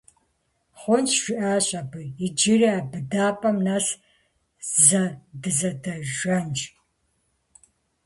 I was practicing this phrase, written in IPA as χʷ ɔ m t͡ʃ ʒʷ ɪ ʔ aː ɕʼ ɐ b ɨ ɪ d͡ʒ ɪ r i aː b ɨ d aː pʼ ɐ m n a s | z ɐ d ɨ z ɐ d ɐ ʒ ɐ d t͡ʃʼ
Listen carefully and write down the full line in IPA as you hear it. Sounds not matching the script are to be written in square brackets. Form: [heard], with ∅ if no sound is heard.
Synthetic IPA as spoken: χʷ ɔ [n] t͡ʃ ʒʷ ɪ ʔ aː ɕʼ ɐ b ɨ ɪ d͡ʒ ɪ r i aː b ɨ d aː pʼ ɐ m n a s | z ɐ d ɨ z ɐ d ɐ ʒ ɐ [n] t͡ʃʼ